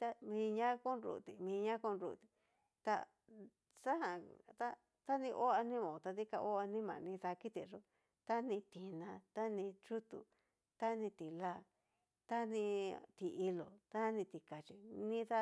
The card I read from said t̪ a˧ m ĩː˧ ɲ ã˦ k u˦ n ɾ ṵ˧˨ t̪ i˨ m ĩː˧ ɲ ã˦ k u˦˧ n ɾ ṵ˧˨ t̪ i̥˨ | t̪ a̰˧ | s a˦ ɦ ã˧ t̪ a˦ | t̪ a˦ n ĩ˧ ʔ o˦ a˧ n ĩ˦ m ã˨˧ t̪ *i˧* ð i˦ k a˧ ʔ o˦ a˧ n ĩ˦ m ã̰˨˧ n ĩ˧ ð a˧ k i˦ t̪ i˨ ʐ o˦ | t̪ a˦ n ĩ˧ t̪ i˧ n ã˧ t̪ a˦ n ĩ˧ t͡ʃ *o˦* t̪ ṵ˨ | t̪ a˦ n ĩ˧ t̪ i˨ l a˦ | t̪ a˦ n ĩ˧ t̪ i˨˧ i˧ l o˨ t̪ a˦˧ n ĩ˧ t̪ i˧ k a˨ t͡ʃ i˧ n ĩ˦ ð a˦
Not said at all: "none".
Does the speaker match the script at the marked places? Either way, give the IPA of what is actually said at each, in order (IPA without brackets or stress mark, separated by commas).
a˧, u˦